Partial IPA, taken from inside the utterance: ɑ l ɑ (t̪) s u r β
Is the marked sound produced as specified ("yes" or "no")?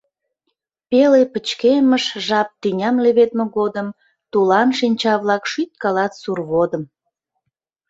yes